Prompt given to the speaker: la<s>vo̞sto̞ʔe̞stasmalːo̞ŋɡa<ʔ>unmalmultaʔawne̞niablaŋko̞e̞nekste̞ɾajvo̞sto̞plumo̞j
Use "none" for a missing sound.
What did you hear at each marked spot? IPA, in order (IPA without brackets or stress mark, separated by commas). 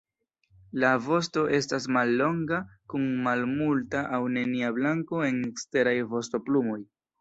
none, k